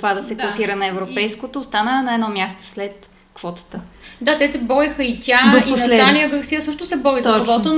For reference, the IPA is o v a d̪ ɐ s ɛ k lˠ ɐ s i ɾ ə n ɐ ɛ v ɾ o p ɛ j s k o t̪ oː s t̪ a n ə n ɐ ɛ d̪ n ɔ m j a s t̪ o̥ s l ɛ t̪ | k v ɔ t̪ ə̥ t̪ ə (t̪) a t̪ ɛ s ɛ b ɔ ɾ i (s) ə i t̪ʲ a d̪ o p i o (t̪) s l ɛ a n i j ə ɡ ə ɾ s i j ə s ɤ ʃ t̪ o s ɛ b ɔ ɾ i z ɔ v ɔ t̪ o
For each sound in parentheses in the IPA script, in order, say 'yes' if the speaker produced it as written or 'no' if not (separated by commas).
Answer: no, no, no